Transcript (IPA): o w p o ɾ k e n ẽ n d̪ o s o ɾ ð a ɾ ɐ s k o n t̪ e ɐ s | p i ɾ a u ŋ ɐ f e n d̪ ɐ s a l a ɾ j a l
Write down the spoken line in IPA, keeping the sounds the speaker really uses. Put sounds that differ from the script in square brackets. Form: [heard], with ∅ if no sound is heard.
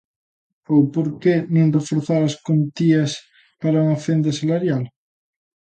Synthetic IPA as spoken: o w p o ɾ k e n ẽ n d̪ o [f] o ɾ [θ] a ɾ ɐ s k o n t̪ [i] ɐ s | p [a] ɾ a u ŋ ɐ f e n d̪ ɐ s a l a ɾ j a l